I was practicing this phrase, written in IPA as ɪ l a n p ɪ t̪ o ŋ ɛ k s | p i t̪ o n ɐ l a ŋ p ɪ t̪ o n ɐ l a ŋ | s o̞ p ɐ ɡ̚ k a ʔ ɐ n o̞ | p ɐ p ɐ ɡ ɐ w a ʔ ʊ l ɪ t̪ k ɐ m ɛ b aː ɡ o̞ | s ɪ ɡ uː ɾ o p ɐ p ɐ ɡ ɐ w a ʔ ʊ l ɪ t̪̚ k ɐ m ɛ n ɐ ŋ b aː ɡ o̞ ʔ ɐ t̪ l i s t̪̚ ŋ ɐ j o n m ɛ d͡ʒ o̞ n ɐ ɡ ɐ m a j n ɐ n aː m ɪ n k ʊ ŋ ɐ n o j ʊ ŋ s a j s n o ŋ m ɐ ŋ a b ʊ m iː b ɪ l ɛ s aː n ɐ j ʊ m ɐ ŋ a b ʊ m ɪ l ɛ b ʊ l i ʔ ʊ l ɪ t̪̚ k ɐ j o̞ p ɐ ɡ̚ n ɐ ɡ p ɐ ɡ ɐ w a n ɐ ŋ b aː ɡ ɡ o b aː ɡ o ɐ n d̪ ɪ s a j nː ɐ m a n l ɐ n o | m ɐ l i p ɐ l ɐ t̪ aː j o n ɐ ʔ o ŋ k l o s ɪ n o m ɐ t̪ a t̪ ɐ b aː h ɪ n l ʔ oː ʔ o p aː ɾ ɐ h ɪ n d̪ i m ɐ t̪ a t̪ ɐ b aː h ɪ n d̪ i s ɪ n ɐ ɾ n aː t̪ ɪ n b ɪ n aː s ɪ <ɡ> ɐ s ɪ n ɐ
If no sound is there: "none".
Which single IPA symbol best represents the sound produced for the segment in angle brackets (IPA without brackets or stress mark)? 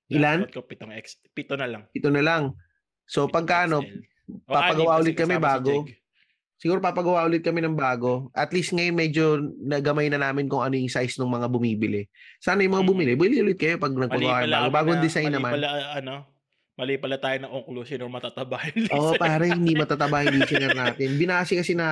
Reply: k